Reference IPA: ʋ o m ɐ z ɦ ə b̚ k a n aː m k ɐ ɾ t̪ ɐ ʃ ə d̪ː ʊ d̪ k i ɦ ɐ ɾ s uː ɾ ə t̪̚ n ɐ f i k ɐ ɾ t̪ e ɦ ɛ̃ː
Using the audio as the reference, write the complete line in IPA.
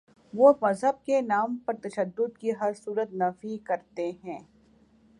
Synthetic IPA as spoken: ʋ o m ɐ z ɦ ə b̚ k e n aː m p ɐ ɾ t̪ ɐ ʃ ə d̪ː ʊ d̪ k i ɦ ɐ ɾ s uː ɾ ə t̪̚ n ɐ f i k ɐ ɾ t̪ e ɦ ɛ̃ː